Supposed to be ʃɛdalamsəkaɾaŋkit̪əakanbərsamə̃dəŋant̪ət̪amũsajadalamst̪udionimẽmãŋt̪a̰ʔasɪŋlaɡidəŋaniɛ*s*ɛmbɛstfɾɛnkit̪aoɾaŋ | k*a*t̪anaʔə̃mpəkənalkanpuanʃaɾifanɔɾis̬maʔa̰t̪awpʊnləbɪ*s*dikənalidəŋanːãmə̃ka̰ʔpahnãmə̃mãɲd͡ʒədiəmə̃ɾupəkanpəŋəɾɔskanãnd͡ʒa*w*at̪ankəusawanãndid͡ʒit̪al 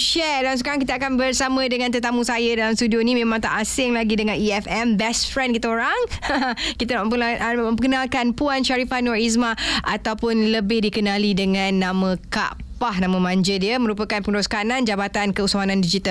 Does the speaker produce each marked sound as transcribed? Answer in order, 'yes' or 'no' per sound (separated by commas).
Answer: no, no, no, no